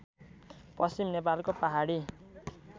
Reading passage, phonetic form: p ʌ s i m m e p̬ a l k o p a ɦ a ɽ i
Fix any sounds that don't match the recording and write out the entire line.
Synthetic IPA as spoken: p ʌ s i m n e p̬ a l k o p a ɦ a ɽ i